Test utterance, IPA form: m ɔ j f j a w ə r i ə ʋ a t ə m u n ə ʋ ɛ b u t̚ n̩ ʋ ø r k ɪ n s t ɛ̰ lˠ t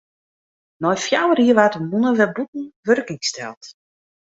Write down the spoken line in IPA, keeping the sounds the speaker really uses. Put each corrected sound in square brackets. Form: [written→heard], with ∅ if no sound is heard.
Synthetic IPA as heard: [m→n] ɔ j f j a w ə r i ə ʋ a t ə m u n ə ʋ ɛ b u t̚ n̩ ʋ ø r k ɪ [n→ŋ] s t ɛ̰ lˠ t